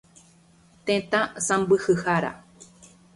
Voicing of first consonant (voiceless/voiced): voiceless